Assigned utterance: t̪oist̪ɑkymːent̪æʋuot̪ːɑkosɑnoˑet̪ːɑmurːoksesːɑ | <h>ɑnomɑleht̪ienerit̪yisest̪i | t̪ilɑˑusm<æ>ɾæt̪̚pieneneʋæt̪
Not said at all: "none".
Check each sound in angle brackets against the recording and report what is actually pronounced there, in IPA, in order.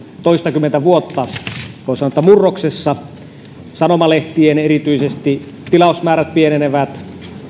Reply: s, æː

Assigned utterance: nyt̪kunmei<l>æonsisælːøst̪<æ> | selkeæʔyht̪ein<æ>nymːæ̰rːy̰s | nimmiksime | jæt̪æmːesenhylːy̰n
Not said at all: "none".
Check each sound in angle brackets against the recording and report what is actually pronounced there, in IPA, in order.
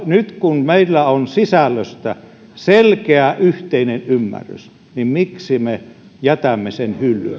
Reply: lː, æ, e

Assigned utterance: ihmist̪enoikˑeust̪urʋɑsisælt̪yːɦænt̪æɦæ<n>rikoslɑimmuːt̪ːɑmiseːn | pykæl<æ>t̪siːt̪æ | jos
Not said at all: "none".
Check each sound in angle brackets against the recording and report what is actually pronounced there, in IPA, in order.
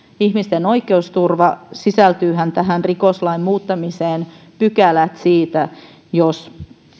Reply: n, æ

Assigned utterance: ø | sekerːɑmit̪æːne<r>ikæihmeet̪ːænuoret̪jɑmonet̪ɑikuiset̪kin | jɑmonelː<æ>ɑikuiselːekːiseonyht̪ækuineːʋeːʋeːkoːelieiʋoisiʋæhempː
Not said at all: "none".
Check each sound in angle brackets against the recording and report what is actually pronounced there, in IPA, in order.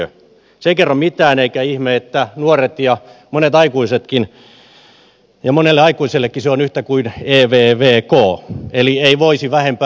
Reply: none, e

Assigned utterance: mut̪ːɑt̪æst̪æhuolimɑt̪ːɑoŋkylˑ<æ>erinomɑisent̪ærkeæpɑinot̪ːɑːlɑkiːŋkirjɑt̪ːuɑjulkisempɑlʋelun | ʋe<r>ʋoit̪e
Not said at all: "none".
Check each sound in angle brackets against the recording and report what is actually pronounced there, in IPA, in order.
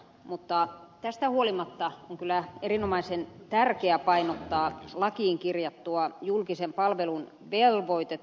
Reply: æ, l

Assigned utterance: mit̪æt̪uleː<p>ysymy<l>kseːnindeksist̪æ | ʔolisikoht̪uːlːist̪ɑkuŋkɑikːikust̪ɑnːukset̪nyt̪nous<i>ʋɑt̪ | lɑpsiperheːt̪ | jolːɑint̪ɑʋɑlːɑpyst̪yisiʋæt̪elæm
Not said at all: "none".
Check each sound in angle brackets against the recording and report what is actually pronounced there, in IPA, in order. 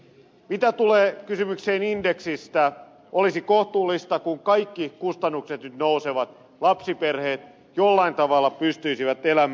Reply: k, none, e

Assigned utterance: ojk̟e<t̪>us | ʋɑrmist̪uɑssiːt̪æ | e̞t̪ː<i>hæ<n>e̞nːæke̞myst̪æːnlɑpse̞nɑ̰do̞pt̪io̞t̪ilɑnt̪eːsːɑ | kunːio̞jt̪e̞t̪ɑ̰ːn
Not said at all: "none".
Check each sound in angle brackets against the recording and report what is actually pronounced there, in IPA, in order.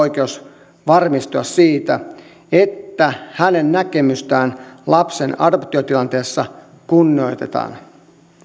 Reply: none, æ, n

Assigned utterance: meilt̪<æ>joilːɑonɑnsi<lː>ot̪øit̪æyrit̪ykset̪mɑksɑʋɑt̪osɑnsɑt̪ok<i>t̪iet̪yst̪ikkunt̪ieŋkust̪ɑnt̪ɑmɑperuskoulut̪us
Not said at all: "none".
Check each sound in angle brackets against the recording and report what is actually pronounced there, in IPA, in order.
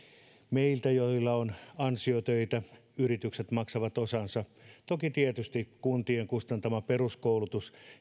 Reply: æ, none, i

